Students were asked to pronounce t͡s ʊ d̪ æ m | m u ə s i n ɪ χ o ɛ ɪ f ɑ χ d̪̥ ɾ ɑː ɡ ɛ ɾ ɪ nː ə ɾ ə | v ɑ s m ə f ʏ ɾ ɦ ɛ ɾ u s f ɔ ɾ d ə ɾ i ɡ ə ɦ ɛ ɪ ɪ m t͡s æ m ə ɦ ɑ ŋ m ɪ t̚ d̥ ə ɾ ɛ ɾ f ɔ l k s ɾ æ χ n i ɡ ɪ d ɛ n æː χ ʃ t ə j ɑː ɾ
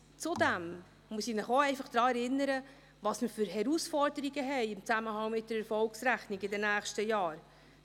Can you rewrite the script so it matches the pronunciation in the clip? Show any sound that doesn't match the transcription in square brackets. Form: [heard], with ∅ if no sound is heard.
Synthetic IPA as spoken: t͡s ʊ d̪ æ m | m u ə s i n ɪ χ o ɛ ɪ f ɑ χ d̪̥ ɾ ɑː [∅] ɛ ɾ ɪ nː ə ɾ ə | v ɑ s m ə f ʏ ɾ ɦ ɛ ɾ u s f ɔ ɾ d ə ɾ i ɡ ə ɦ ɛ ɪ ɪ m t͡s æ m ə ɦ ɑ ŋ m ɪ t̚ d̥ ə ɾ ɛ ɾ f ɔ l k s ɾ æ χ n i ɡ ɪ d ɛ n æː χ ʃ t ə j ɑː ɾ